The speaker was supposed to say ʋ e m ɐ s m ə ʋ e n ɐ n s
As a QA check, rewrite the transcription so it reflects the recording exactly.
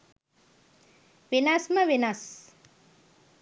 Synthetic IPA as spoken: ʋ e n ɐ s m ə ʋ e n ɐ s